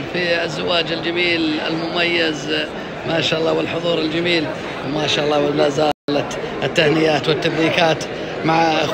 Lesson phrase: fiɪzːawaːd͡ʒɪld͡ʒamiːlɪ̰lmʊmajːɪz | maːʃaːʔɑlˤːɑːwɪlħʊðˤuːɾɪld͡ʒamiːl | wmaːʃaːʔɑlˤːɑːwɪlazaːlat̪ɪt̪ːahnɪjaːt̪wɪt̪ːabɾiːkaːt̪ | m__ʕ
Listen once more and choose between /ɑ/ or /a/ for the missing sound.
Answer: a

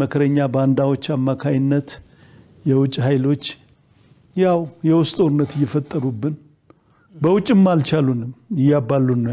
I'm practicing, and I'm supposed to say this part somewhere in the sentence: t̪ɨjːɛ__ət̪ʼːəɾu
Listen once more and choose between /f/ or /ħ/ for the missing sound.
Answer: f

